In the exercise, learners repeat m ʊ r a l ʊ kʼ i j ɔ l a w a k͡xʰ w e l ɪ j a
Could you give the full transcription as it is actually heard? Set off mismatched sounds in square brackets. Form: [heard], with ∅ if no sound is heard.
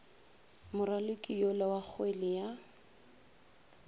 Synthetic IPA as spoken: m ʊ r a l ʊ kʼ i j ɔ l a w a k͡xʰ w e l ɪ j a